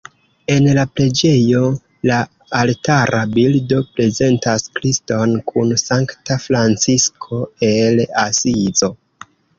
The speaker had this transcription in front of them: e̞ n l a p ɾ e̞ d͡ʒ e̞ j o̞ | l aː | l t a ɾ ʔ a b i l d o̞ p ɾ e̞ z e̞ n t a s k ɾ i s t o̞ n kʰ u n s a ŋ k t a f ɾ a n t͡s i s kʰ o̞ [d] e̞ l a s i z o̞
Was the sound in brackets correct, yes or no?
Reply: no